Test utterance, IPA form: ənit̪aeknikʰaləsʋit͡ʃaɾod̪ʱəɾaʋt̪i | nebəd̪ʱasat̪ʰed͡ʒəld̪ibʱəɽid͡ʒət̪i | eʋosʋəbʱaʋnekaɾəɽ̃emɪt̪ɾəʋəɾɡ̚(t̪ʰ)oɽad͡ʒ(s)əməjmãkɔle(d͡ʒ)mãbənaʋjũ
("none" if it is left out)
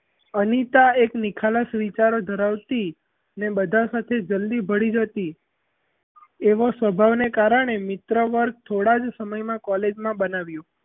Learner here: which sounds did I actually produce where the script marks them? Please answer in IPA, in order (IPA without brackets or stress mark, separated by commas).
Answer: t̪ʰ, s, d͡ʒ